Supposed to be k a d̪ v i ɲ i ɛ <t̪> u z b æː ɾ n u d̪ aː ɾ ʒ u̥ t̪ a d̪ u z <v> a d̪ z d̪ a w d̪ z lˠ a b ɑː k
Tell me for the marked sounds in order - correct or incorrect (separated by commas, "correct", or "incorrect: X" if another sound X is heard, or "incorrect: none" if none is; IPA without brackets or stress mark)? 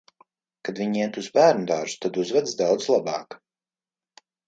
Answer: correct, correct